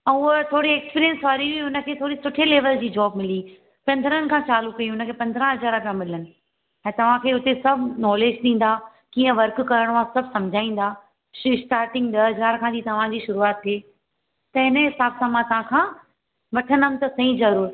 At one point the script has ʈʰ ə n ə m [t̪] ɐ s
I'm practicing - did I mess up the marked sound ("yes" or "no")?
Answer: no